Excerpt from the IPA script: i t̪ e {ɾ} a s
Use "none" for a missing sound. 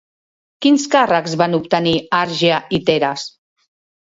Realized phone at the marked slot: ɾ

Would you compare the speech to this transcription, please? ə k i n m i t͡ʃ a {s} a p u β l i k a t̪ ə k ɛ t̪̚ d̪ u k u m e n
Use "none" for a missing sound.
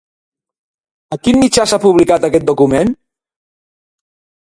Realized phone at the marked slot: s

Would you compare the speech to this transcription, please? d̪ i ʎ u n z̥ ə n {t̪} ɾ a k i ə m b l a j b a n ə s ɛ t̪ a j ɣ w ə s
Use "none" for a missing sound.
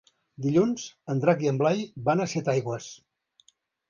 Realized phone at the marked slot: d̪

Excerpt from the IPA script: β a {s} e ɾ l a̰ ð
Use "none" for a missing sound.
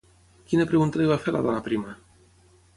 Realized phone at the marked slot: f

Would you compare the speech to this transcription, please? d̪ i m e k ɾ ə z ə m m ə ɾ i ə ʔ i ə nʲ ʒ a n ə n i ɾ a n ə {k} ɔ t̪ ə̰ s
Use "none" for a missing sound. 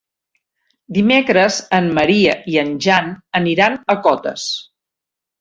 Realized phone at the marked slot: k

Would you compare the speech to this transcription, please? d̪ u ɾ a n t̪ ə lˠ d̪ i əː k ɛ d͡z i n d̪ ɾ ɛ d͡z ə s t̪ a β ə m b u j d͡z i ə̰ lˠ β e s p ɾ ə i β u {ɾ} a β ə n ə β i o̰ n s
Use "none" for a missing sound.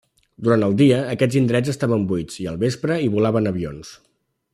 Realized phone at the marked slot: l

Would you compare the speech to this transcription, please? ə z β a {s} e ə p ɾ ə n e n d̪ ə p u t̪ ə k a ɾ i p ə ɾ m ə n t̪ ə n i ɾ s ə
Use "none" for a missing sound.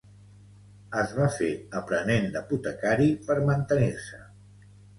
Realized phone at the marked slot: f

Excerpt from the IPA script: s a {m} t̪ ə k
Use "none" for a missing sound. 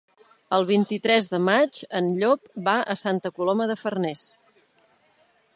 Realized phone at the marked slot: n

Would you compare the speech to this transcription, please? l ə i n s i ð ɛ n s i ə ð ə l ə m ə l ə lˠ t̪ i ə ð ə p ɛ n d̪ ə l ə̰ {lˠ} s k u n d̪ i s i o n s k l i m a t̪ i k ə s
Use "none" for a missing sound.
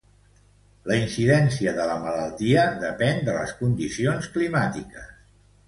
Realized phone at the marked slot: none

